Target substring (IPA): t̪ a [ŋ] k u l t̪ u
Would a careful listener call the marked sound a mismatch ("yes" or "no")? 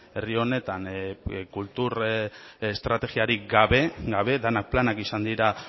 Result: yes